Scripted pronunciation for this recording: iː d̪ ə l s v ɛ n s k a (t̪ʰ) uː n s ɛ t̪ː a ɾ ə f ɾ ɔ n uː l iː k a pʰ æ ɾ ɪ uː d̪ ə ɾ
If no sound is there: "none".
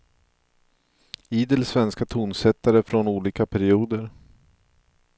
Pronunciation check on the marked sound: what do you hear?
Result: t̪ʰ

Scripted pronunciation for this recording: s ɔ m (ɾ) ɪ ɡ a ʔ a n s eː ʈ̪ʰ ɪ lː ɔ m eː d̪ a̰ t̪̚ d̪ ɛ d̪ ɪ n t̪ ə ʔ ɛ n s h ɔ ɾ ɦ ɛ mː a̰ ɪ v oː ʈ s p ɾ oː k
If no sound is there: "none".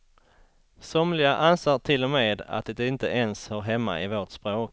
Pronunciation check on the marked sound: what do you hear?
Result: l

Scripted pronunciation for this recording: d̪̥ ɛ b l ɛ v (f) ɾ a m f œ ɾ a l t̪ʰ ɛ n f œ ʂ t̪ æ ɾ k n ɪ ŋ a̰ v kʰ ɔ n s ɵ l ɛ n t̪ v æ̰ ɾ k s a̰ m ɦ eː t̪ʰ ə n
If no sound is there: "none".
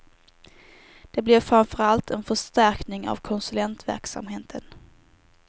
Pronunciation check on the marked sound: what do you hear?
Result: f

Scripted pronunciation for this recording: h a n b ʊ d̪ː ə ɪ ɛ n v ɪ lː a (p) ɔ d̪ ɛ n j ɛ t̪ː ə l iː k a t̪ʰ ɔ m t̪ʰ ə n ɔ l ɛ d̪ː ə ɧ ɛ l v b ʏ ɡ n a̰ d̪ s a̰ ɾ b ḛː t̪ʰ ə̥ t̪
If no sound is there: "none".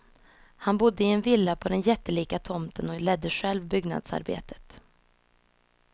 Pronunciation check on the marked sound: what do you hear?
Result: pʰ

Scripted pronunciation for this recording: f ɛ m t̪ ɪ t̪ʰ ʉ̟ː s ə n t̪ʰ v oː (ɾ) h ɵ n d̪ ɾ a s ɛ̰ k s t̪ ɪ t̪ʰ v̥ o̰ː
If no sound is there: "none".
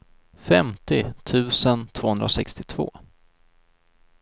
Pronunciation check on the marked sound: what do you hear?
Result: none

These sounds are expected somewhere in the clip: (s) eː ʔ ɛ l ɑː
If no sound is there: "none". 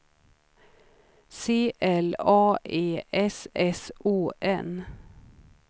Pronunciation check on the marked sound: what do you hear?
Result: s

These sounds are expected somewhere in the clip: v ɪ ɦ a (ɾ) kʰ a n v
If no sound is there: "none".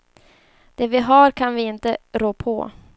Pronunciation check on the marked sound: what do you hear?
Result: ɾ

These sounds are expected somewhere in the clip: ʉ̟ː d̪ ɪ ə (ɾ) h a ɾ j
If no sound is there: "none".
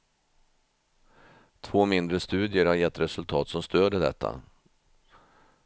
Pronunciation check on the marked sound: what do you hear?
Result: ɾ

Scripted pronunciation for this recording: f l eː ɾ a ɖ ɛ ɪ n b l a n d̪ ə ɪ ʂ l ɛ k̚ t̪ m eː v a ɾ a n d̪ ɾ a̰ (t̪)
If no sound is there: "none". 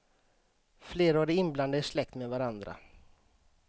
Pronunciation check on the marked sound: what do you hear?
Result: none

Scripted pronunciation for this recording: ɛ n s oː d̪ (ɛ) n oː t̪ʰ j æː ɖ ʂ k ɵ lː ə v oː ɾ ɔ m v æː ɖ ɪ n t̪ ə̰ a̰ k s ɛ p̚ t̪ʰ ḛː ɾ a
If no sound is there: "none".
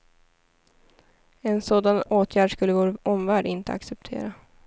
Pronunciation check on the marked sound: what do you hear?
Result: a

